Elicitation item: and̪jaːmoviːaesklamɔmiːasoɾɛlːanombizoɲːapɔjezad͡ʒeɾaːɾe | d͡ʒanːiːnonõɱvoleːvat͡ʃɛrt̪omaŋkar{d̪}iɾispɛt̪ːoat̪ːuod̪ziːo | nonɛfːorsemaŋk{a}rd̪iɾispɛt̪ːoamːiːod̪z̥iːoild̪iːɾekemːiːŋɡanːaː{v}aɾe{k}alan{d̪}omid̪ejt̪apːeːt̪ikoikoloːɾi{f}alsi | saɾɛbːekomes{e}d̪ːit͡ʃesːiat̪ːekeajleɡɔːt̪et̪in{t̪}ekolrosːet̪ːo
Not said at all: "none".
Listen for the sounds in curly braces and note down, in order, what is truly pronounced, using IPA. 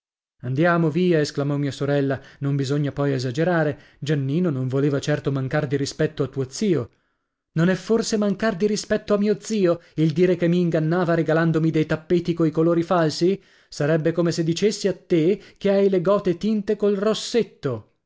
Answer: d̪, a, v, ɡ, d̪, f, e, t̪

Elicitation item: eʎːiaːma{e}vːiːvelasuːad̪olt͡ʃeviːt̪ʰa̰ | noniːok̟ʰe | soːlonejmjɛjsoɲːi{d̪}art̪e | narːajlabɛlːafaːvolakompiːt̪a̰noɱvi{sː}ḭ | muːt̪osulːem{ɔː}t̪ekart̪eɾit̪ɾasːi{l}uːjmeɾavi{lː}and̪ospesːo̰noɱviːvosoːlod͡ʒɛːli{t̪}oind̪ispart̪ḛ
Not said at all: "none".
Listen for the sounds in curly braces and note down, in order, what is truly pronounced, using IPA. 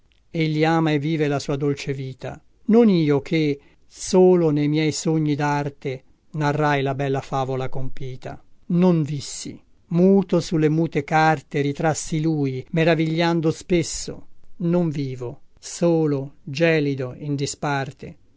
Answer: e, d̪, sː, uː, l, ʎː, d̪

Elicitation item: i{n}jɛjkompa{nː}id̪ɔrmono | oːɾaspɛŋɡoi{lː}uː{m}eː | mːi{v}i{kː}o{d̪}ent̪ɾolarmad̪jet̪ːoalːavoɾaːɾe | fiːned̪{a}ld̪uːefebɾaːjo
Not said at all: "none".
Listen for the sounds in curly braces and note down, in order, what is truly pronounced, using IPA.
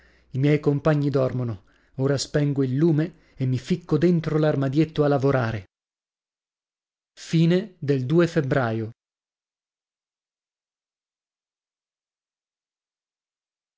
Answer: m, ɲː, lː, m, f, kː, d̪, e

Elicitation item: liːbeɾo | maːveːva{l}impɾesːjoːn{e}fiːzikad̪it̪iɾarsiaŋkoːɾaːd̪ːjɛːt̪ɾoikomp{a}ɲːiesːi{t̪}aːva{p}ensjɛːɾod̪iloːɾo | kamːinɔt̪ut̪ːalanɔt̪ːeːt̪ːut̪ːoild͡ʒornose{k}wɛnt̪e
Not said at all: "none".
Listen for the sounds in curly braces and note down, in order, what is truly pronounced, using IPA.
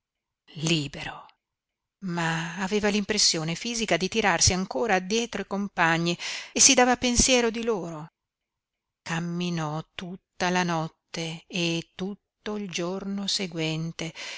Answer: l, e, a, d̪, p, ɡ

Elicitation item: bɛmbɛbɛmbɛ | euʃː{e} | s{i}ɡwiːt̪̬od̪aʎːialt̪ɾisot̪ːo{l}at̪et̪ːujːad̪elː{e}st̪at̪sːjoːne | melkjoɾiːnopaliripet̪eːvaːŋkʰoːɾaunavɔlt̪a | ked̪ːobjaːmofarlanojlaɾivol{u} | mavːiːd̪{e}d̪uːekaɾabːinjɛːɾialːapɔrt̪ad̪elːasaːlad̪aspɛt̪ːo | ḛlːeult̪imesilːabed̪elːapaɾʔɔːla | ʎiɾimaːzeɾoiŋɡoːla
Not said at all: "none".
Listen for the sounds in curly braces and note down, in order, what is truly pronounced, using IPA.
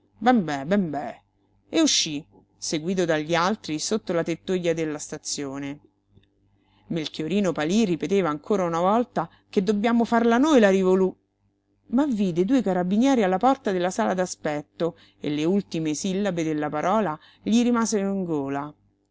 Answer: i, e, l, a, u, e

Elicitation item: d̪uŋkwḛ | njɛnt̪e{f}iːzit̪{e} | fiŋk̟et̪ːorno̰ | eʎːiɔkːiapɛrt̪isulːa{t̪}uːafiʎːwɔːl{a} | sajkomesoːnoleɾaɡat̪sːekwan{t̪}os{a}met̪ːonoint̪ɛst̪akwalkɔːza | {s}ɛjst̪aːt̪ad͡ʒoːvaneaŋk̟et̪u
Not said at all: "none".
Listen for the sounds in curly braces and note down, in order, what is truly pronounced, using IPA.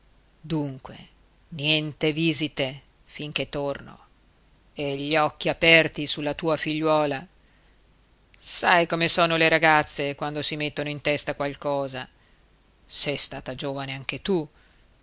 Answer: v, e, t̪, a, d̪, i, s

